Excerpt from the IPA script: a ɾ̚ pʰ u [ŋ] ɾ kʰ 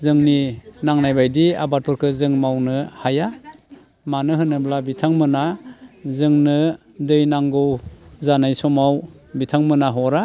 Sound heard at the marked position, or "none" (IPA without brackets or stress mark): none